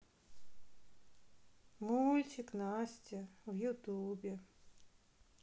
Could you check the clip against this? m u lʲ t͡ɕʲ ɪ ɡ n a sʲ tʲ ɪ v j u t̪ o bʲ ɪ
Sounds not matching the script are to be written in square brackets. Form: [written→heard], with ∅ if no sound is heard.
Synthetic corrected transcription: m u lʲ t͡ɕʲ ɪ [ɡ→k] n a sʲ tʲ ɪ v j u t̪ [o→u] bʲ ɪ